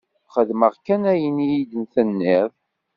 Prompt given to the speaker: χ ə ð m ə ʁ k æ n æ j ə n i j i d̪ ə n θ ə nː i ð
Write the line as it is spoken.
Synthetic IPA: χ ə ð m ə ʁ k æ n æ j ə n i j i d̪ ə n θ ə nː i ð